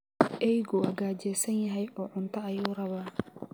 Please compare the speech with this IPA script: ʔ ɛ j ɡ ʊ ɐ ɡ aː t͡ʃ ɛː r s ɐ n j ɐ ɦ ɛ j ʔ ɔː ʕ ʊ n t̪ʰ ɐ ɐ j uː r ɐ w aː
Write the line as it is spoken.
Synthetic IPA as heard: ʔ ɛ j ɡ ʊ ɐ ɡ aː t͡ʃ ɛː s ɐ n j ɐ ɦ ɛ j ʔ ɔː ʕ ʊ n t̪ʰ ɐ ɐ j uː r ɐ β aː